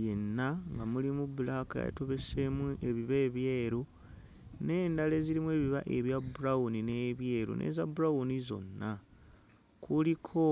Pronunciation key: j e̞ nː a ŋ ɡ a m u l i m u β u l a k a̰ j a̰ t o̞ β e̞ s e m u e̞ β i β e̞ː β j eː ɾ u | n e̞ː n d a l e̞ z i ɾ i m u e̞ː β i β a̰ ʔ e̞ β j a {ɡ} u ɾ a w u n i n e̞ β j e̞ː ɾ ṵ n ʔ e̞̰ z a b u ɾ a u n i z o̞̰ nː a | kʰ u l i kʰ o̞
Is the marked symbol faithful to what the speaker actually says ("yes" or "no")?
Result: no